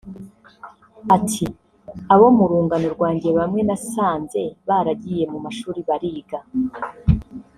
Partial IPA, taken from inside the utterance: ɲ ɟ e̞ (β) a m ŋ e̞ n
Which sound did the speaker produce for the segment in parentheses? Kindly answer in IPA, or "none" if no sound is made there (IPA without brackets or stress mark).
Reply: β